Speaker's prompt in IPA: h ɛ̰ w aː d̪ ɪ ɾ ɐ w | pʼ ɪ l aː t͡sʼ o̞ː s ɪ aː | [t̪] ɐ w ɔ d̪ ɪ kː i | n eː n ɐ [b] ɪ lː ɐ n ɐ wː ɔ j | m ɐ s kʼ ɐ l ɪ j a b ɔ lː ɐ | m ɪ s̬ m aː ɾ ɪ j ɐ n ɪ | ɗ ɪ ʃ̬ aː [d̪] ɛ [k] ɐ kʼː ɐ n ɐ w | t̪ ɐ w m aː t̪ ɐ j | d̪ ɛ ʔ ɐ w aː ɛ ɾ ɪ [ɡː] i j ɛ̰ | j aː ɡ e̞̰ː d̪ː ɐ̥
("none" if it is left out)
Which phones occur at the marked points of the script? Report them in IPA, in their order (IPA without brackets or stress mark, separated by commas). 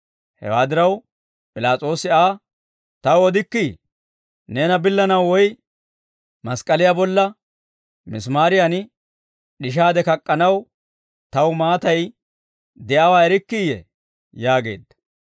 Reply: t̪, b, d̪, k, kː